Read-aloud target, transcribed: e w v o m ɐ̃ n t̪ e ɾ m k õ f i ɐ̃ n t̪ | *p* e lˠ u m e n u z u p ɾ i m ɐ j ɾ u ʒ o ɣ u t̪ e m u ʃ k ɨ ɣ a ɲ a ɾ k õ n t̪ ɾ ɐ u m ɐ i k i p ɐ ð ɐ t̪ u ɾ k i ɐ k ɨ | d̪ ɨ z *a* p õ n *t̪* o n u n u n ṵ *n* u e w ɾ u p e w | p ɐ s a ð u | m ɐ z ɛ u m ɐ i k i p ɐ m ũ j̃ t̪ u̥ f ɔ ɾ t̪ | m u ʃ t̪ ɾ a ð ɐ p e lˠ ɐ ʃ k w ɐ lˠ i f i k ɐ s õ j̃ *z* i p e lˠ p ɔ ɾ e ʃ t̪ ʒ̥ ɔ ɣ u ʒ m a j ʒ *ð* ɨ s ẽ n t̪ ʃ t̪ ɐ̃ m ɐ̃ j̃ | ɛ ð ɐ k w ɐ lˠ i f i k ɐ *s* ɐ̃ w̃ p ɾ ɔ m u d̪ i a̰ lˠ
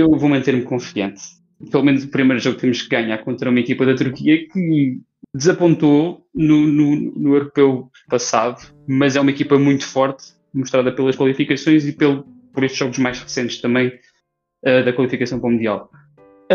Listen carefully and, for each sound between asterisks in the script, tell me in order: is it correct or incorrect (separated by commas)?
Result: correct, incorrect, correct, correct, correct, incorrect, correct